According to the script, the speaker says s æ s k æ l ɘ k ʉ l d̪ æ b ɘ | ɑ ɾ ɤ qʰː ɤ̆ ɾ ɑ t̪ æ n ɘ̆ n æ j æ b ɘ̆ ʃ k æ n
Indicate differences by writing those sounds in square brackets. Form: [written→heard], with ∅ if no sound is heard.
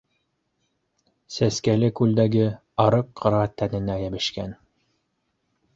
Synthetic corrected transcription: s æ s k æ l ɘ k ʉ l d̪ æ [b→ɡ] ɘ | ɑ ɾ ɤ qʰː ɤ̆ ɾ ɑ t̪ æ n ɘ̆ n æ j æ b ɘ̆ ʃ k æ n

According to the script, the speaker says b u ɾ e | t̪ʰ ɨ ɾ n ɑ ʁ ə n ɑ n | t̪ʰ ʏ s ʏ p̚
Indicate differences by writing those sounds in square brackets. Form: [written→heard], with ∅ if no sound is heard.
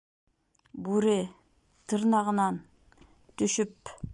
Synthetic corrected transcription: b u ɾ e | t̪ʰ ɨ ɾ n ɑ ʁ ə n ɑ n | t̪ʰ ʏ [s→ʃ] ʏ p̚

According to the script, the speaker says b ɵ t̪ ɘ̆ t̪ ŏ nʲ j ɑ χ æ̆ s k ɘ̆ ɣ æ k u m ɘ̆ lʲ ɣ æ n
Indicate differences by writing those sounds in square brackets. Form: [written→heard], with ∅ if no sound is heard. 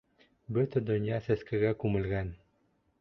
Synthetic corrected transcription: b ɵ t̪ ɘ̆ [t̪→d̪] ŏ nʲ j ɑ [χ→s] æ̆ s k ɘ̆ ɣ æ k u m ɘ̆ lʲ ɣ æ n

